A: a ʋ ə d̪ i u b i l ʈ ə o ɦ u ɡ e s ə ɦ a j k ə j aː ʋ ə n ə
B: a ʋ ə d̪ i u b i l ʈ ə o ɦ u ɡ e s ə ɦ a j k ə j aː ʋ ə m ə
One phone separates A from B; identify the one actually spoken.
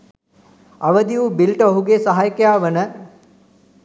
A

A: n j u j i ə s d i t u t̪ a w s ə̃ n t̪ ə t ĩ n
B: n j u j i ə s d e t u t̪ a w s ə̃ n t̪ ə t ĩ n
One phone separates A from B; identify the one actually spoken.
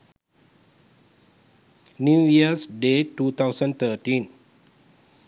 B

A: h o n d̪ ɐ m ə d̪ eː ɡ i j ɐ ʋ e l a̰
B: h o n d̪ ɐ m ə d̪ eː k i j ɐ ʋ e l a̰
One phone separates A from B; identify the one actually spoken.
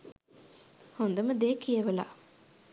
B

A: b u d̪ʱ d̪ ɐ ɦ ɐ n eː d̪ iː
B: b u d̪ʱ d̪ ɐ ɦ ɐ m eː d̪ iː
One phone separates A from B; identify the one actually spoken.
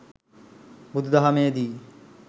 B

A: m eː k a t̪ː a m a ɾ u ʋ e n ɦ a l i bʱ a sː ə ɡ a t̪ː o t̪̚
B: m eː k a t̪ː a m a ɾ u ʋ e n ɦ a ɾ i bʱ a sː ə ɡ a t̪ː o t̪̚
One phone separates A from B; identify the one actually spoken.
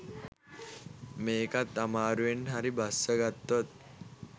B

